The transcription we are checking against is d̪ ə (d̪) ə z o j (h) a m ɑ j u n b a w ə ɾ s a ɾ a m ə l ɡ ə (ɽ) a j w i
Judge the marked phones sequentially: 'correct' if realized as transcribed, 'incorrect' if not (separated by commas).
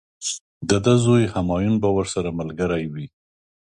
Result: correct, correct, incorrect